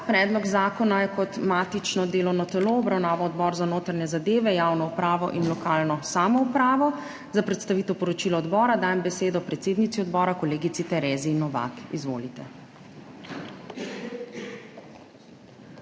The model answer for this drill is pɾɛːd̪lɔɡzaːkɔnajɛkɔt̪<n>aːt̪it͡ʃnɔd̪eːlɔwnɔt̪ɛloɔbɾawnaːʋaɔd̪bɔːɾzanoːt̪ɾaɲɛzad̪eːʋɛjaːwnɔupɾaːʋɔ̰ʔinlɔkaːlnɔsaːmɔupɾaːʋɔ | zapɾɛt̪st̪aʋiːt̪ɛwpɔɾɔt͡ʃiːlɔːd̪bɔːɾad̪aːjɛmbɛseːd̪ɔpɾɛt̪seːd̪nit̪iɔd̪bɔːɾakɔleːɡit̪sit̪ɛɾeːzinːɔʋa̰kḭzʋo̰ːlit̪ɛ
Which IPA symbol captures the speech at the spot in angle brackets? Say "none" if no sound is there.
m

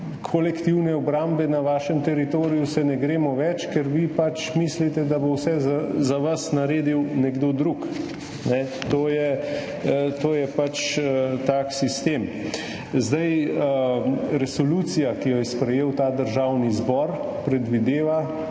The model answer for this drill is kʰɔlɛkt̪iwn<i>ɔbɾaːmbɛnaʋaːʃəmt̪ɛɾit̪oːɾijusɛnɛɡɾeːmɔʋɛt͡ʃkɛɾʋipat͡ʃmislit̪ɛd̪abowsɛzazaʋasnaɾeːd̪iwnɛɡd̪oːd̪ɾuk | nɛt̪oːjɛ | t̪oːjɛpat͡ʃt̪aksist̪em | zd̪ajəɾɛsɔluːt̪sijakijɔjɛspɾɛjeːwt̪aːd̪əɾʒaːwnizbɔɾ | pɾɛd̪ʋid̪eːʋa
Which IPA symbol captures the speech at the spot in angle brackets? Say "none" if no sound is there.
ɛ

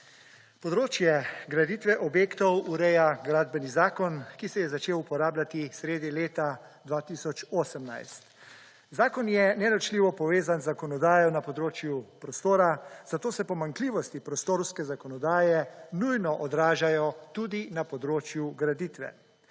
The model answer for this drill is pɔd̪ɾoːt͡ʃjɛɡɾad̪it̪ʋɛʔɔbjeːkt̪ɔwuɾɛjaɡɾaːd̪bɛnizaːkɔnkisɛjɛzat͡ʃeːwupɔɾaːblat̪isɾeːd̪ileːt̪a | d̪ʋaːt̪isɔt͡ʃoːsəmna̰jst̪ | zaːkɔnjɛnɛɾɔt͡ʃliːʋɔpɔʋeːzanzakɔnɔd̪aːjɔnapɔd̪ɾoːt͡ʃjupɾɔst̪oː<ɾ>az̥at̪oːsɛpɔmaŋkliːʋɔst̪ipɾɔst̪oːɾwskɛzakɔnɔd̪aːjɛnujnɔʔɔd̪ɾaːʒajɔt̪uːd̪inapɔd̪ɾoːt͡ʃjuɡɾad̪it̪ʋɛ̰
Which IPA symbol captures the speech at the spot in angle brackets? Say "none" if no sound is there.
ɾ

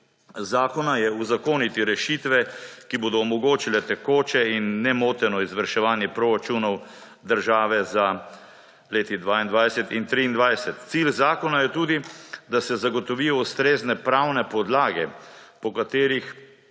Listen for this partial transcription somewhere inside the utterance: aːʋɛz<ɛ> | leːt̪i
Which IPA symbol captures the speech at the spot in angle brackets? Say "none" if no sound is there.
a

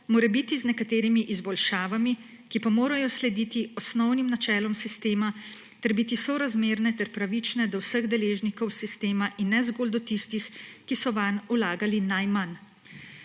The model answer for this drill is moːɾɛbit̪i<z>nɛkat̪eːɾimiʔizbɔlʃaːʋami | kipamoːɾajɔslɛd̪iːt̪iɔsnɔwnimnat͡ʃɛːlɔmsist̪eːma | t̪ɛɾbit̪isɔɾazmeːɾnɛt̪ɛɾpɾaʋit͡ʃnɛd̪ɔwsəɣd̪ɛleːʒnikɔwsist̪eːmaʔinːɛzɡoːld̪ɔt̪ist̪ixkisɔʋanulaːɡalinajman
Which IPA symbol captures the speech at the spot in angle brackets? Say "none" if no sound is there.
z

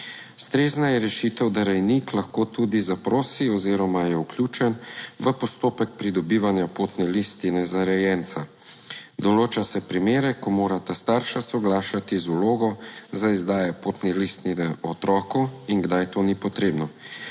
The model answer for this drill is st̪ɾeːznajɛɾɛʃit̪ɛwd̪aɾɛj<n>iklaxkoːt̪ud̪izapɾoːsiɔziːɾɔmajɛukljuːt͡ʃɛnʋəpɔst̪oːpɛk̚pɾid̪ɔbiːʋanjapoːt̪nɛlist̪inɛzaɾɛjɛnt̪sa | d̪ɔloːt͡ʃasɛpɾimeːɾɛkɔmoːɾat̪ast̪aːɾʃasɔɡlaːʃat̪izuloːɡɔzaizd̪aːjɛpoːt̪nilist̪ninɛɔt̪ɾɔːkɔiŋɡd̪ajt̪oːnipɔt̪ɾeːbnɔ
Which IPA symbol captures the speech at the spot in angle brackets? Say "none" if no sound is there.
n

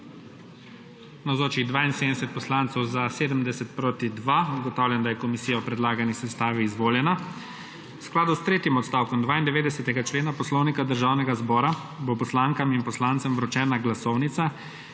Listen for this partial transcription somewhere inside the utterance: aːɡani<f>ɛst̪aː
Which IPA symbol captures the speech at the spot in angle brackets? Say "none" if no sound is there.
s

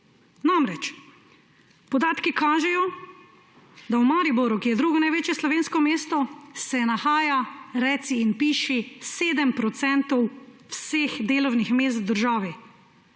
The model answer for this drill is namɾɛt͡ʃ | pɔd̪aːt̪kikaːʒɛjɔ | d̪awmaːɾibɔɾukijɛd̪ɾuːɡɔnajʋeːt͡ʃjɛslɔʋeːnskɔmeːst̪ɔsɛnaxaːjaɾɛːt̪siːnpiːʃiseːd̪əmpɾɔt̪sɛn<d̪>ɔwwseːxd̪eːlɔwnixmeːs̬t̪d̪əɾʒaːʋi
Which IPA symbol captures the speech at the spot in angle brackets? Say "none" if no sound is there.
t̪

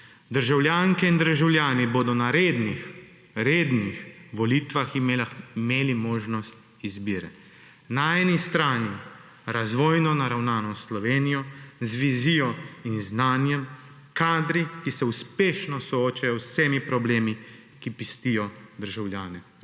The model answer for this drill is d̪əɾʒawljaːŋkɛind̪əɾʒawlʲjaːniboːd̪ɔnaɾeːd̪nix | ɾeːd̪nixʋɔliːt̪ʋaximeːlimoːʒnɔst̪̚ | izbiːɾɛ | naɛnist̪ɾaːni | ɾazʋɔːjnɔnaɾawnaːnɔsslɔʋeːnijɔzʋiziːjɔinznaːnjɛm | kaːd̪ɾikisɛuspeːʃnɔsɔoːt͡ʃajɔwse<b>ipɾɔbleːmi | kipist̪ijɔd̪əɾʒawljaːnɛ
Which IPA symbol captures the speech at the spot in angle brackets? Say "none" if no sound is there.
m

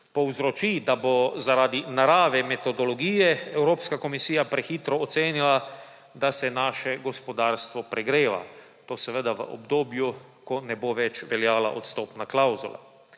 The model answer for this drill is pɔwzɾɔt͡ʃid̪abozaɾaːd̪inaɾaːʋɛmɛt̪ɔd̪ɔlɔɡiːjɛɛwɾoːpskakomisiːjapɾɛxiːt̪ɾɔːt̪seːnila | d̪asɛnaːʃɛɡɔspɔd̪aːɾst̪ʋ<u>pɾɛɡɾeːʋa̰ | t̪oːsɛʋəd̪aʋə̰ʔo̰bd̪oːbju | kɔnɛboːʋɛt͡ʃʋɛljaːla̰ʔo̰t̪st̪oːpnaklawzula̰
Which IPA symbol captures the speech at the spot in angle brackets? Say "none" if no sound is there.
ɔ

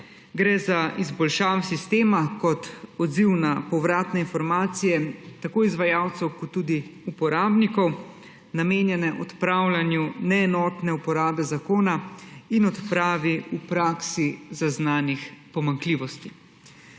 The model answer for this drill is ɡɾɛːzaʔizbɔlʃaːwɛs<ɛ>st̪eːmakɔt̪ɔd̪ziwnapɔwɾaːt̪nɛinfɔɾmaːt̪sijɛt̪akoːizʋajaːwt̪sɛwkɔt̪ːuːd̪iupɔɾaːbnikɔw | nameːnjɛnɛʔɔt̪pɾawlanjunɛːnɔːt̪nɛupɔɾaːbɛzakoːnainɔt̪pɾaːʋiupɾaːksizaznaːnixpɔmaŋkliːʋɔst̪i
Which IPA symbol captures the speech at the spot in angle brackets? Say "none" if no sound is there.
i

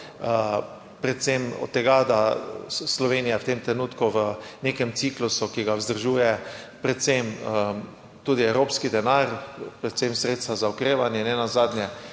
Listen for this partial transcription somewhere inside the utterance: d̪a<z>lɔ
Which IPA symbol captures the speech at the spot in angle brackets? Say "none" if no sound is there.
s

